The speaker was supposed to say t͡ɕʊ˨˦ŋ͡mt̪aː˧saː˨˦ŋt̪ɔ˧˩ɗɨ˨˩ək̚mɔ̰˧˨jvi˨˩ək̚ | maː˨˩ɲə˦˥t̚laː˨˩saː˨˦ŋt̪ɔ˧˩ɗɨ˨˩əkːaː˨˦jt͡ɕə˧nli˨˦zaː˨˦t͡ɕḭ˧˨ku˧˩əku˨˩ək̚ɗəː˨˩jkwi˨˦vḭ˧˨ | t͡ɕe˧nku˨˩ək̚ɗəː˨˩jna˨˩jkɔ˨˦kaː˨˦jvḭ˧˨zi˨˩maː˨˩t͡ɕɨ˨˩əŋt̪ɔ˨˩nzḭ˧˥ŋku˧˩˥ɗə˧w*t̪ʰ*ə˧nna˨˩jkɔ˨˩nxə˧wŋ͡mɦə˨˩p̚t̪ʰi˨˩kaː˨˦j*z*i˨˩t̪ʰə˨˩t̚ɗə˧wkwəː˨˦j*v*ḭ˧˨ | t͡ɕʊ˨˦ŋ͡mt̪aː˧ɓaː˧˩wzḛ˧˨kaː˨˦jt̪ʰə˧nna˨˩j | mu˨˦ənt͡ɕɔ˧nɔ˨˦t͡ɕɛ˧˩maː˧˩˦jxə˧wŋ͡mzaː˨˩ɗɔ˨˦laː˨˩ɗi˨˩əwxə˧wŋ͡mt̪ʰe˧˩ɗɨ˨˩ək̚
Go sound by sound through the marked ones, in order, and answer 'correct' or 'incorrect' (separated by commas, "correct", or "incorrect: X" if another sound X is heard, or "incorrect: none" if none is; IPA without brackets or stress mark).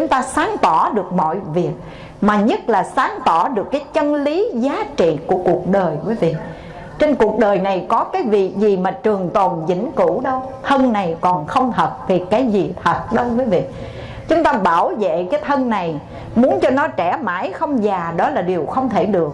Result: correct, correct, correct